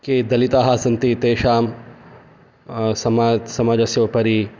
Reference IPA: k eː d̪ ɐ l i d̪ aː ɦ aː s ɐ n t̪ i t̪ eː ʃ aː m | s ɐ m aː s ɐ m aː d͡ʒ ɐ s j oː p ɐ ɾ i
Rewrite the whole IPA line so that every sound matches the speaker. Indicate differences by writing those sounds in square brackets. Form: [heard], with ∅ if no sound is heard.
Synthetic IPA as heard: k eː d̪ ɐ l i [t̪] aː ɦ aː s ɐ n t̪ i t̪ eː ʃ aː m | s ɐ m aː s ɐ m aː d͡ʒ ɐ s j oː p ɐ ɾ i